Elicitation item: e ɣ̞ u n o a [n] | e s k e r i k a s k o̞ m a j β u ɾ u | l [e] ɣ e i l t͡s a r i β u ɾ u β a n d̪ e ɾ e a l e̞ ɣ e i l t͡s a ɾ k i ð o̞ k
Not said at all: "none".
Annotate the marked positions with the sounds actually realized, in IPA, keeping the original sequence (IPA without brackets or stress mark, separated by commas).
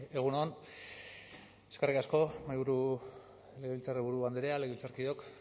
n, e